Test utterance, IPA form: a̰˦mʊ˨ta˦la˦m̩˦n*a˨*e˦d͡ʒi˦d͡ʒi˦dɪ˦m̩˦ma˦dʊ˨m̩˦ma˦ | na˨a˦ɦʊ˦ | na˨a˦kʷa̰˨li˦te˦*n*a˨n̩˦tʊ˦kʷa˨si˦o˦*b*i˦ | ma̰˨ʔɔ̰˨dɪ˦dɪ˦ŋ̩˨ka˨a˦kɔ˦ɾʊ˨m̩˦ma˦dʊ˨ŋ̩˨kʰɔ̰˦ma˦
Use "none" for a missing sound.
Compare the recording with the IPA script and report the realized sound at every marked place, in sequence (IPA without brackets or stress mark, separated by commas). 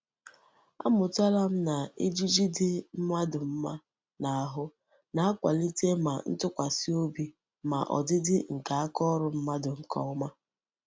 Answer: a˨, m, b